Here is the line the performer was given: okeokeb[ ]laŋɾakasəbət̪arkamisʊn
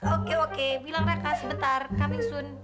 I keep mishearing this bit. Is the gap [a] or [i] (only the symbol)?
i